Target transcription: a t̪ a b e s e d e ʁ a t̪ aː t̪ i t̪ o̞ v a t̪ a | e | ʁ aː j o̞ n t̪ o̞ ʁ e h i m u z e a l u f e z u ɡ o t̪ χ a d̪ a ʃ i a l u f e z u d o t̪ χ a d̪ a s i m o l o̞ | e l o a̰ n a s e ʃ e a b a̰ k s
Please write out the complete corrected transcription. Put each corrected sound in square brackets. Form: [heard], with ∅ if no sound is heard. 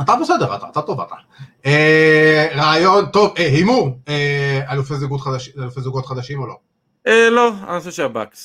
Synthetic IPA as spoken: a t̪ a b e s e d e ʁ a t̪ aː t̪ [a] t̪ o̞ v a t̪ a | e | ʁ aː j o̞ n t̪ o̞ [v] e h i m u [ʁ] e a l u f e z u ɡ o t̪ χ a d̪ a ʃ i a l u f e z u [ɡ] o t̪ χ a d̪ a [ʃ] i m o l o̞ | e l o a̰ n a s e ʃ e a b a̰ k s